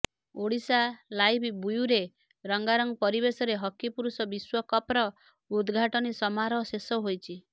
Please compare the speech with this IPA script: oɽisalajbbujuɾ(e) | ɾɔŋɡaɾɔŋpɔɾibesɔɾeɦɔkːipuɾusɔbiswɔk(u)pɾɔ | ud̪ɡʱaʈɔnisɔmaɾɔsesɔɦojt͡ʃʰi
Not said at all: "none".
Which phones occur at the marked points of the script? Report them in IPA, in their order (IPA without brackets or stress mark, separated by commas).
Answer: e, ɔ